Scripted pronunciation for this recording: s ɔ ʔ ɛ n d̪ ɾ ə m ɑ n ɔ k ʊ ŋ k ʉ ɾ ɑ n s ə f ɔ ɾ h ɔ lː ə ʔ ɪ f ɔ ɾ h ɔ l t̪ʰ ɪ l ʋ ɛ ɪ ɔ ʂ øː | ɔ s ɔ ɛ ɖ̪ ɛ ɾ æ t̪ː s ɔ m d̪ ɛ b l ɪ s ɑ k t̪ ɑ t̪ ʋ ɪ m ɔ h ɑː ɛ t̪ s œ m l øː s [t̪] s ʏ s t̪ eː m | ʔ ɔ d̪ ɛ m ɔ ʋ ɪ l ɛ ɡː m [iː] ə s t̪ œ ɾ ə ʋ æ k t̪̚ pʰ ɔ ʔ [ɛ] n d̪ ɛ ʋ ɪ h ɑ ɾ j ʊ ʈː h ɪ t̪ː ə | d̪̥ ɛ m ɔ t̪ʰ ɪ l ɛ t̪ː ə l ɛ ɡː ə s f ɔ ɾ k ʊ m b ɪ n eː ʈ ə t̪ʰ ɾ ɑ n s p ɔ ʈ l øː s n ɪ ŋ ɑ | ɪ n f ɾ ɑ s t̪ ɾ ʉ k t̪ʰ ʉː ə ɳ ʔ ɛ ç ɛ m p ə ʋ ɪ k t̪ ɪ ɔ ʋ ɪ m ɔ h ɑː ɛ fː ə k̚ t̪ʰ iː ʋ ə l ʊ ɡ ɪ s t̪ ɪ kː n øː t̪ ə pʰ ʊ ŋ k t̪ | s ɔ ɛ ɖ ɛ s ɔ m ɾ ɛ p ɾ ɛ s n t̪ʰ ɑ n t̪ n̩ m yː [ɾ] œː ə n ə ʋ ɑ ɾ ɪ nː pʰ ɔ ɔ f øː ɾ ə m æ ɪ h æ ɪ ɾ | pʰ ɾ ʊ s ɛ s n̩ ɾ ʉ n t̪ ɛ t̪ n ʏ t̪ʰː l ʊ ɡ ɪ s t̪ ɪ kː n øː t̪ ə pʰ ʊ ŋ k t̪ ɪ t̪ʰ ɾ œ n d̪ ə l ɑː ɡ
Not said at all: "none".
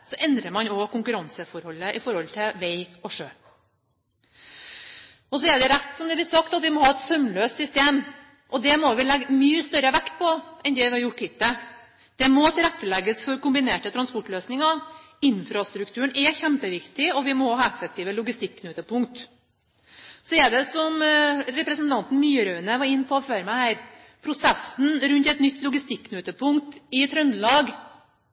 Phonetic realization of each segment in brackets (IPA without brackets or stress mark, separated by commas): t̪, yː, ɛ, ɾ